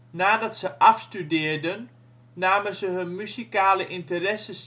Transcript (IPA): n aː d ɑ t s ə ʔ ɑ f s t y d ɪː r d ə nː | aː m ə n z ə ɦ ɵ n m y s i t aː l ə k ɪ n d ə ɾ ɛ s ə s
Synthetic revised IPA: n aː d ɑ t s ə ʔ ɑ f s t y d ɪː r d ə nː | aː m ə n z ə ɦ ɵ n m y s i k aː l ə ʔ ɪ n t ə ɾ ɛ s ə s